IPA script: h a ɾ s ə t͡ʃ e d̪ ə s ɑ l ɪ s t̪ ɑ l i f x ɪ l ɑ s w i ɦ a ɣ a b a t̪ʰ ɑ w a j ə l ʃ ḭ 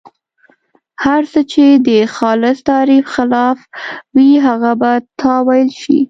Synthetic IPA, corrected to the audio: h a ɾ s ə t͡ʃ e d̪ ə x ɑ l ɪ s t̪ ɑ ɾ i f x ɪ l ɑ f w i ɦ a ɣ a b a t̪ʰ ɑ w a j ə l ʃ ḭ